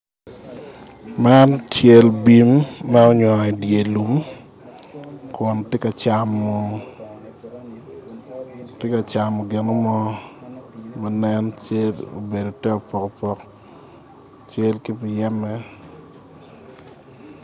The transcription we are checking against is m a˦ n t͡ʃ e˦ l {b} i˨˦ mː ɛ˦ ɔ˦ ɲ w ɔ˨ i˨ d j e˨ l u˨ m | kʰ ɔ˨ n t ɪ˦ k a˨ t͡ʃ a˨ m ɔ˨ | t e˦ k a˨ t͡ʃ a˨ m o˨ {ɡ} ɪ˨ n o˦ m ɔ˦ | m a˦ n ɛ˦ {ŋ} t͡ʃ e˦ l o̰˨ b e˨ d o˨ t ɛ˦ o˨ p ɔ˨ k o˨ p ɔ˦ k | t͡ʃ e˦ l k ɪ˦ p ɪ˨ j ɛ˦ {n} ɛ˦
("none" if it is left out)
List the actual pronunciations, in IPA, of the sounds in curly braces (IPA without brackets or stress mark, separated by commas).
b, ɡ, n, m